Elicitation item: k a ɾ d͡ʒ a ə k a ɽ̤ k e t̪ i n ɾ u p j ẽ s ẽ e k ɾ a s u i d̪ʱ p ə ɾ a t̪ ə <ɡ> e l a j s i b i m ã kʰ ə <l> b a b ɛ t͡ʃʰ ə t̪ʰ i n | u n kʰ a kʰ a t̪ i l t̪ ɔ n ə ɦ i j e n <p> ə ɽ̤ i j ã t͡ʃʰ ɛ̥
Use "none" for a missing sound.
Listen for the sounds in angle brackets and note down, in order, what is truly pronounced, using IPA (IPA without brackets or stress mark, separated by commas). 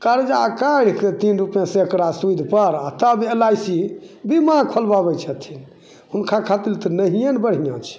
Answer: b, l, b